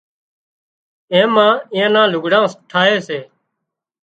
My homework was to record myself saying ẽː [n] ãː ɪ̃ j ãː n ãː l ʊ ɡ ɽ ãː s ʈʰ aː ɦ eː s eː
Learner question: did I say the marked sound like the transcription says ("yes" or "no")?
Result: no